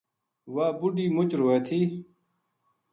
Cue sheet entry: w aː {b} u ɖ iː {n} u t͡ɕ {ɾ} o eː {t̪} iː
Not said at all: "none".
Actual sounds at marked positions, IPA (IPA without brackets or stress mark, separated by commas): b, m, ɾ, t̪ʰ